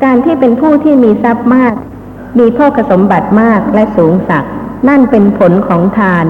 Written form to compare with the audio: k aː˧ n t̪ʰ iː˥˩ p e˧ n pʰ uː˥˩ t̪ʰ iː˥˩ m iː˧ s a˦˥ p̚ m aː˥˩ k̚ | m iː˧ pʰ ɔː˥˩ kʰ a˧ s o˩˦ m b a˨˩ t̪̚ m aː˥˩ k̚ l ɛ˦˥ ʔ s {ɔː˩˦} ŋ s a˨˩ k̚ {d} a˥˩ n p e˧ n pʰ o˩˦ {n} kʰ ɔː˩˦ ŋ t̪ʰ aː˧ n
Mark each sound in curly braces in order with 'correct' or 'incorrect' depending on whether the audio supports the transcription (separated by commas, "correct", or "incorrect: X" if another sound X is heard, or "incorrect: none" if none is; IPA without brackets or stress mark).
incorrect: uː˩˦, incorrect: n, correct